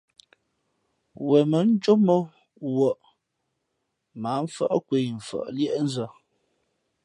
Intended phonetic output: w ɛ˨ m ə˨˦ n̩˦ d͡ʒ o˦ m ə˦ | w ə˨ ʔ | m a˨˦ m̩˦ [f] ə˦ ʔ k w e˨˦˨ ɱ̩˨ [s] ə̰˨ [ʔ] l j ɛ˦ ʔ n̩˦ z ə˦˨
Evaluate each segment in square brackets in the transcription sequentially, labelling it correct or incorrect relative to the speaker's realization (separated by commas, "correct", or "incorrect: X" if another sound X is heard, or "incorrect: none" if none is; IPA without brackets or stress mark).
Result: correct, incorrect: f, correct